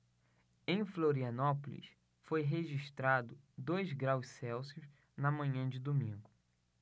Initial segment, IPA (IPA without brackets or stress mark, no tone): ẽ